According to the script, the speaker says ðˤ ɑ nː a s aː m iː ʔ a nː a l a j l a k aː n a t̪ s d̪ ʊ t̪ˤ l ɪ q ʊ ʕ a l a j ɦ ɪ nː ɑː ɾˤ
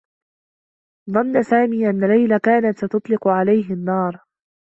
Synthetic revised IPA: ðˤ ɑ nː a s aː m iː ʔ a nː a l a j l a k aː n a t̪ s t̪ ʊ t̪ˤ l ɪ q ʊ ʕ a l a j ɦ ɪ nː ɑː ɾˤ